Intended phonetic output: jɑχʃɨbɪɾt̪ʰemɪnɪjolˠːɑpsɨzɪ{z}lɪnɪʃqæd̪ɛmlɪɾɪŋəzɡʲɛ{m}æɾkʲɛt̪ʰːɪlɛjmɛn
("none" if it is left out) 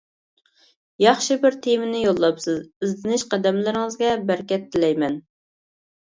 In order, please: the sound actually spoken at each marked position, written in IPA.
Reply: z, b

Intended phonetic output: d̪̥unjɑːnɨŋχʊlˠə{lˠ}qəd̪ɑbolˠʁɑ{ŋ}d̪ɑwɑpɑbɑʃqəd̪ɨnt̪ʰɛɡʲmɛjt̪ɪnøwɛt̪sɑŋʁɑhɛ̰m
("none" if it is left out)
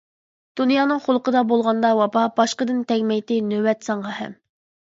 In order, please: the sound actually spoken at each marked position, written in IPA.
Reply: none, n

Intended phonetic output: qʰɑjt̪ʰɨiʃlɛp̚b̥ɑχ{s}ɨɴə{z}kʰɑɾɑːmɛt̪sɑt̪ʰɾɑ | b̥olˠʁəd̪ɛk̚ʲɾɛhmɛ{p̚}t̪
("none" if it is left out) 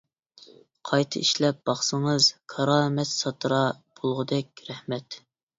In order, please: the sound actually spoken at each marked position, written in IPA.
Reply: s, z, none

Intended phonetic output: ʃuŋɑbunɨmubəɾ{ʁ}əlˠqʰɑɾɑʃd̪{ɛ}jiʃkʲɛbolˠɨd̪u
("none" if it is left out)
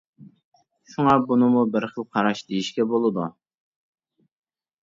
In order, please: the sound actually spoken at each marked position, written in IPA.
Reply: χ, e

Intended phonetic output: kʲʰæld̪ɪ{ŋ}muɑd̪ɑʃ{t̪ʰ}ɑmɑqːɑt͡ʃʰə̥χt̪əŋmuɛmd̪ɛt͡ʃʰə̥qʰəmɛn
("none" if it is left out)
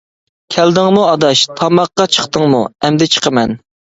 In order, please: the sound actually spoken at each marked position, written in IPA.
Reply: ŋ, t̪ʰ

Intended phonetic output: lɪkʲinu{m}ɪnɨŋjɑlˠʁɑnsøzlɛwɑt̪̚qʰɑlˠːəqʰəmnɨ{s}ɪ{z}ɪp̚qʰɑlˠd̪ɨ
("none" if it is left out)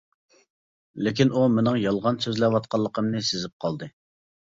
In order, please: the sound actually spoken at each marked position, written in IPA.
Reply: m, s, z

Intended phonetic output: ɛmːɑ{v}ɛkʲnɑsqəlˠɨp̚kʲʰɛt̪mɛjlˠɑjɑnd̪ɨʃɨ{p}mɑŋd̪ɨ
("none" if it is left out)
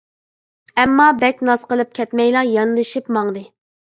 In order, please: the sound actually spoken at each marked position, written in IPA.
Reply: b, p

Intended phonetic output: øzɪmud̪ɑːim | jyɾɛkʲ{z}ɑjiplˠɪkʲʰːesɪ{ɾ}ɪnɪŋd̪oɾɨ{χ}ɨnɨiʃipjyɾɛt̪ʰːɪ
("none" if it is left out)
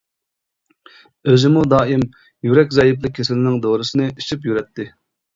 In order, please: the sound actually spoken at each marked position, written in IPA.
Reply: z, l, s

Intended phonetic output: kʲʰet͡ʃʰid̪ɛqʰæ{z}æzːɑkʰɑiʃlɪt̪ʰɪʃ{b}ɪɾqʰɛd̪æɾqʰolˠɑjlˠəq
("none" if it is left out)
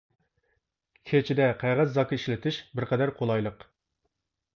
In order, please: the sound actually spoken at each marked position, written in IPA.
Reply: ʁ, b

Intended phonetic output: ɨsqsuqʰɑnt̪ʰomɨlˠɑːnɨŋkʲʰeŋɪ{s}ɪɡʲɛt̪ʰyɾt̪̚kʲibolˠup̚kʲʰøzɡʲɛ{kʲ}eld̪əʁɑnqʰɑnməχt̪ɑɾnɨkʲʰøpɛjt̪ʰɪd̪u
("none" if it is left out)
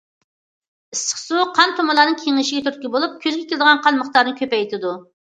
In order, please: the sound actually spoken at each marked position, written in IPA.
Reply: ʃ, kʲ

